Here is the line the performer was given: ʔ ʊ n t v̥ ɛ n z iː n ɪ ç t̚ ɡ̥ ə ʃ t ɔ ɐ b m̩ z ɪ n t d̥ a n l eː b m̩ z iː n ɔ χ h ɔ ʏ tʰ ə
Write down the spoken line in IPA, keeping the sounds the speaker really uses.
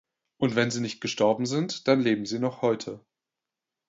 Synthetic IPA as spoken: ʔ ʊ n t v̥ ɛ n z iː n ɪ ç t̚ ɡ̥ ə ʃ t ɔ ɐ b m̩ z ɪ n t d̥ a n l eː b m̩ z iː n ɔ χ h ɔ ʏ tʰ ə